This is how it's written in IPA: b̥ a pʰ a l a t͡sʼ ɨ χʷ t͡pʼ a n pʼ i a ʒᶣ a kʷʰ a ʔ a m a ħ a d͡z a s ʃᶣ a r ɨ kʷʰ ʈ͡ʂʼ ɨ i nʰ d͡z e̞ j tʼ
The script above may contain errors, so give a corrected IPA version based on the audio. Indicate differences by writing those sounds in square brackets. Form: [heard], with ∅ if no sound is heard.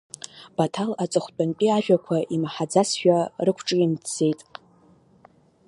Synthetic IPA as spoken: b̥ a [tʰ] a l a t͡sʼ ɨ χʷ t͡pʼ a n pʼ i a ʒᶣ a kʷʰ a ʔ [i] m a ħ a d͡z a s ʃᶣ a r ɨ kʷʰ ʈ͡ʂʼ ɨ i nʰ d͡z e̞ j tʼ